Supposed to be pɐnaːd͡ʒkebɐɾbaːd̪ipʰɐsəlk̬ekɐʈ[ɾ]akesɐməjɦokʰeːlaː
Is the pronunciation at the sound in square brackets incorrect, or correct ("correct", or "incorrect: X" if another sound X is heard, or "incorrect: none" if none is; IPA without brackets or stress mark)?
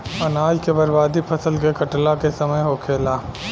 incorrect: l